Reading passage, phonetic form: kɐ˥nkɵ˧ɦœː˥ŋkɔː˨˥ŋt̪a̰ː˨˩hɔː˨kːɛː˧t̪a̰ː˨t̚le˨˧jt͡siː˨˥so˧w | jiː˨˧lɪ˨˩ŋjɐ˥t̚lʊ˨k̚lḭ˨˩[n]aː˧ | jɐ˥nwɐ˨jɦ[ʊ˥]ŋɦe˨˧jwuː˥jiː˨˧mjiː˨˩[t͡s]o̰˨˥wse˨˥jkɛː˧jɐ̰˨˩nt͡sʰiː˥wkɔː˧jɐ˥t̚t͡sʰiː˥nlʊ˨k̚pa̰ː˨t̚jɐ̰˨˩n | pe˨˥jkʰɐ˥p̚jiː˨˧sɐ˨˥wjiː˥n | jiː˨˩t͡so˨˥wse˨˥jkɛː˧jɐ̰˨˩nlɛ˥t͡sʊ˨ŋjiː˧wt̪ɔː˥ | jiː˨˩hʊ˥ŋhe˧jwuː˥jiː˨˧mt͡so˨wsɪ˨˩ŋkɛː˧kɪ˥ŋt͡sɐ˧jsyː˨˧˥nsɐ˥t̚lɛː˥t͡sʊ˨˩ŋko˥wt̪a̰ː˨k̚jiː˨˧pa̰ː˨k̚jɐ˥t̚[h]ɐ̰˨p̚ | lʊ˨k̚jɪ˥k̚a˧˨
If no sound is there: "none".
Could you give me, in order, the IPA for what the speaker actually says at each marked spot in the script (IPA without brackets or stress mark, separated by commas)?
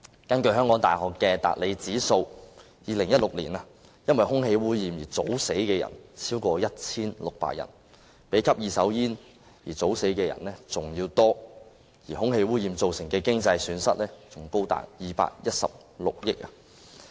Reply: n, ʊ˥, t͡s, s